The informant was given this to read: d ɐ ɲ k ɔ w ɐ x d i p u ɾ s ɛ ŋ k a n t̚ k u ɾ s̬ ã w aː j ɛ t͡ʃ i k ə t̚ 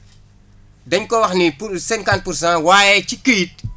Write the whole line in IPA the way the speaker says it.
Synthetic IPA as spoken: d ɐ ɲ k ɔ w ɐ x n i p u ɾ s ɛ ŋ k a n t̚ p u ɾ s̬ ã w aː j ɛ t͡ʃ i k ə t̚